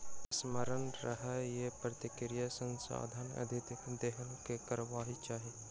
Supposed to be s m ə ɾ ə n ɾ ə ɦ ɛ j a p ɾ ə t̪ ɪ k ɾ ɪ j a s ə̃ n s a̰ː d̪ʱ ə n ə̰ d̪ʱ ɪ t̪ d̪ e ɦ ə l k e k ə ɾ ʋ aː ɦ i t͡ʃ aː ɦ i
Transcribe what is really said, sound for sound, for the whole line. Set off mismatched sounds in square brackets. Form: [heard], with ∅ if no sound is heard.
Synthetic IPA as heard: s m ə ɾ ə n ɾ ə ɦ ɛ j [e] p ɾ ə t̪ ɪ k ɾ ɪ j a s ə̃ n s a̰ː d̪ʱ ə n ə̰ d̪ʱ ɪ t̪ d̪ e ɦ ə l k e k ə ɾ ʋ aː ɦ i t͡ʃ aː ɦ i